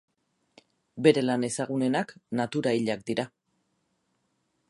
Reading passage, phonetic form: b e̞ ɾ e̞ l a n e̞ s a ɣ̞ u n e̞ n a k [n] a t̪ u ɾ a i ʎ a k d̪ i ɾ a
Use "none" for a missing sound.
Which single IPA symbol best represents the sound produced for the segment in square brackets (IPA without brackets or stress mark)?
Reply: n